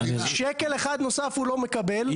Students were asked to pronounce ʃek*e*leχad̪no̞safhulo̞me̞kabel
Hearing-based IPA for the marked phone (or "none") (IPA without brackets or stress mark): e